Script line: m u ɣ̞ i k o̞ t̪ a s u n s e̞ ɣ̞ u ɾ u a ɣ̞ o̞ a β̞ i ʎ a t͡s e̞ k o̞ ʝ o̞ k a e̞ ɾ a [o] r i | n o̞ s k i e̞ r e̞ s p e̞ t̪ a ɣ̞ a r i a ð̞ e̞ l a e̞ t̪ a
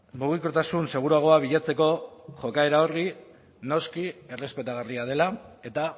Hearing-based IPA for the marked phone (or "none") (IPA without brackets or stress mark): o